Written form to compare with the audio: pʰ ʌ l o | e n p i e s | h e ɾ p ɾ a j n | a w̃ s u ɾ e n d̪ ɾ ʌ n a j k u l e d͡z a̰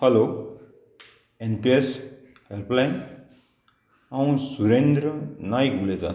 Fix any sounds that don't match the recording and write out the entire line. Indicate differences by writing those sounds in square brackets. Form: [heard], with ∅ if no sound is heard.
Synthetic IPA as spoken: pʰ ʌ l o | e n p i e s | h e [l] p [l] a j n | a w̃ s u ɾ e n d̪ ɾ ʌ n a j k u l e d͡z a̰